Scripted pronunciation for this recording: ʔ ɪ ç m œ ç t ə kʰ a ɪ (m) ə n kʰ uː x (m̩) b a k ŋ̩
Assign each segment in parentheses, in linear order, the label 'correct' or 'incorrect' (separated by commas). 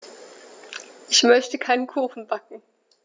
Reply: incorrect, incorrect